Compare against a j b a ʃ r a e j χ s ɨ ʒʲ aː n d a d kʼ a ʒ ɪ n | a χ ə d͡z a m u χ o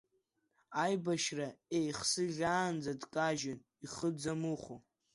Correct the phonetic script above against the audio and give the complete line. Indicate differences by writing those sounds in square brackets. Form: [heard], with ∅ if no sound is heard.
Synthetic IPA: a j b a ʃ r a e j χ s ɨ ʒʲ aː n [d͡z] a d kʼ a ʒ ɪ n | [i] χ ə d͡z a m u χ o